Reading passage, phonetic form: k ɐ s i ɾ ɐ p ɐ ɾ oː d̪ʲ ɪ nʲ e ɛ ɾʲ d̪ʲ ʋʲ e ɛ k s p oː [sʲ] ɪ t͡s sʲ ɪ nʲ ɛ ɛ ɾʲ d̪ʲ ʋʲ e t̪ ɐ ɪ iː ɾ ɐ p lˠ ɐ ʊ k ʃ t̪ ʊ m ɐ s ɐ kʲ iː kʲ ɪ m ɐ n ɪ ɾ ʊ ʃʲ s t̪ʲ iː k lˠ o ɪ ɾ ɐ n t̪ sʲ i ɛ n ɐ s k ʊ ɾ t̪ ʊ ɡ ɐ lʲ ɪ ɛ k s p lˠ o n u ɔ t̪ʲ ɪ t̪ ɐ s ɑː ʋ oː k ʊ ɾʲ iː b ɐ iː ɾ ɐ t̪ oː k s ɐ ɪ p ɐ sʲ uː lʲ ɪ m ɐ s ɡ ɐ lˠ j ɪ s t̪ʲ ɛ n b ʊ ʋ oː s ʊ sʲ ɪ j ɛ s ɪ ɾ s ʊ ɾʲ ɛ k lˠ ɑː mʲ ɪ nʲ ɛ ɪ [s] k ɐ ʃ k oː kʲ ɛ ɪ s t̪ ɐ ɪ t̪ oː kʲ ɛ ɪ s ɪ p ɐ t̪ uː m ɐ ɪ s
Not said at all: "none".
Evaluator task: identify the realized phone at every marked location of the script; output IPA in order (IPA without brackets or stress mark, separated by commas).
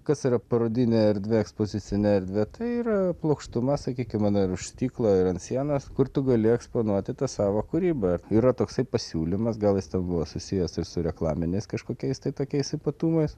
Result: zʲ, s